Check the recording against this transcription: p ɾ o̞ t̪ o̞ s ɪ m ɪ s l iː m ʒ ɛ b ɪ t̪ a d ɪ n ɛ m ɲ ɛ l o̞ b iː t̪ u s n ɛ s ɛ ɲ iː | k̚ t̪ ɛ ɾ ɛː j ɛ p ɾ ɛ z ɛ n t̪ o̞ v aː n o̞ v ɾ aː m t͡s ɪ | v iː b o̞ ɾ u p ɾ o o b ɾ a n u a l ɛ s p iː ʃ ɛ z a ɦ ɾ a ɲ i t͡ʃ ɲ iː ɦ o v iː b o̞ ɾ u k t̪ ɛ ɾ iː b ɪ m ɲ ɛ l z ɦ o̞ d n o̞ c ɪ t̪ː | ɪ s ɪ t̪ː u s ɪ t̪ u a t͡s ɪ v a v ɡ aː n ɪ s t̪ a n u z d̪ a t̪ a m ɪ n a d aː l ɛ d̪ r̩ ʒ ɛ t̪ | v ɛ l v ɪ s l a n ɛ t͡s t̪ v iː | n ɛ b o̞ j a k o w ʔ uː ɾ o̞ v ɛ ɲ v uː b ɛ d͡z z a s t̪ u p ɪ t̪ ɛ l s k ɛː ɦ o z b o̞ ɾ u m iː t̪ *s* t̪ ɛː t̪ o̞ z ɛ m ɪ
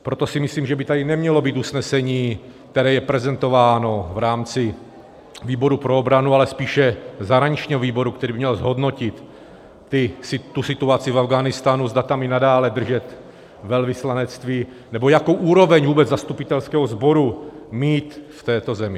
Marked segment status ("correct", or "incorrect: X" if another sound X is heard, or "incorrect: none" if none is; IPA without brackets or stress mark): incorrect: f